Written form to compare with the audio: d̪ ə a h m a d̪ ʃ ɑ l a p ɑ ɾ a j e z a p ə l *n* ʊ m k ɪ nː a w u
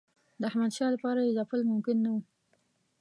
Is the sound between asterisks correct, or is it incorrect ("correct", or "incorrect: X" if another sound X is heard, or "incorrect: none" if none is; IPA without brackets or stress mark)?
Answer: incorrect: m